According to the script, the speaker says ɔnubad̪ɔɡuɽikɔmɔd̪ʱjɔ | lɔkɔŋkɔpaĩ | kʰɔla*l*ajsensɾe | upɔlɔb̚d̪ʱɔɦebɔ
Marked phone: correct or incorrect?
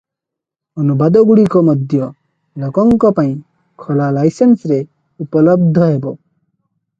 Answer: correct